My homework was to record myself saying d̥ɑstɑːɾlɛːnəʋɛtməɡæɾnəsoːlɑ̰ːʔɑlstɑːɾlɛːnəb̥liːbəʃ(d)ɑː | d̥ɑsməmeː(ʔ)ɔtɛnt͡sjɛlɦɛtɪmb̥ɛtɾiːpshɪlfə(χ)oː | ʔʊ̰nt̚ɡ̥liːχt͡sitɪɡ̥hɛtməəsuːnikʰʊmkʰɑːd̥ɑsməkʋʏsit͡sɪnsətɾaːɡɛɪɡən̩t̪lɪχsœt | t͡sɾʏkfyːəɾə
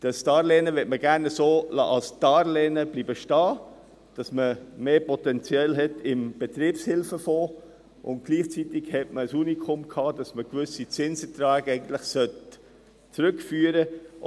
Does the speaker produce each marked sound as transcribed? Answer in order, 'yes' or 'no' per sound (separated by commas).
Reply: no, no, no